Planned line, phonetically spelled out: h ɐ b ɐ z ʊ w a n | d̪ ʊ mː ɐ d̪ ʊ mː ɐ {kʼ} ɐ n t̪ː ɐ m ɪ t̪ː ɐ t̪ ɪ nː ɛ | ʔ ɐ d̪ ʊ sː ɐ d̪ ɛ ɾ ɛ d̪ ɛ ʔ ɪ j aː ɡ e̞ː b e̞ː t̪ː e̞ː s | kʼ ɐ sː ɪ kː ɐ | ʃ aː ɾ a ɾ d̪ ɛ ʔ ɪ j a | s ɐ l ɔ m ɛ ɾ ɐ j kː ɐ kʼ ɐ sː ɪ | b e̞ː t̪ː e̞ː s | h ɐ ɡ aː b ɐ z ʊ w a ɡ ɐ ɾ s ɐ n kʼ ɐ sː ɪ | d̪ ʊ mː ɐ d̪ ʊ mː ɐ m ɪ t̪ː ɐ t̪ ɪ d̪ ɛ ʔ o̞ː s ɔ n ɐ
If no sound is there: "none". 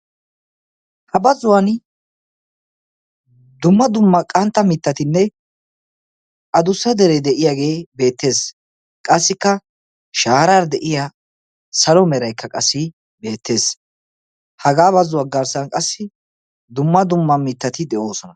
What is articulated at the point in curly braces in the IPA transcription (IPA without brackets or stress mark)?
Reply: kʼ